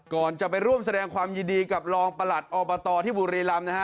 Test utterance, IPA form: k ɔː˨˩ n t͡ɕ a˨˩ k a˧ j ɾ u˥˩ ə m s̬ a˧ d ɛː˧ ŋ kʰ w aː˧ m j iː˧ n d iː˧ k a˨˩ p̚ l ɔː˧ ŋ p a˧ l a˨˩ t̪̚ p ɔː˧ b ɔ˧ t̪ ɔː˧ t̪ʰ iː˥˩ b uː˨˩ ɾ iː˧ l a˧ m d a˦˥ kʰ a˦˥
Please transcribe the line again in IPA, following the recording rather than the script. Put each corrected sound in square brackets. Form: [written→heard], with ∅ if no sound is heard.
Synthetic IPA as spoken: k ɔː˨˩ n t͡ɕ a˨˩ [k→p] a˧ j ɾ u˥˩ ə m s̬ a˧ d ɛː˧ ŋ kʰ w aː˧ m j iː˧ n d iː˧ k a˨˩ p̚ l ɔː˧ ŋ p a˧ l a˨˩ t̪̚ [p→ʔ] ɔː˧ b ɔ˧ t̪ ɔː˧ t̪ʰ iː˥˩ b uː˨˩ ɾ iː˧ l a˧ m [d→n] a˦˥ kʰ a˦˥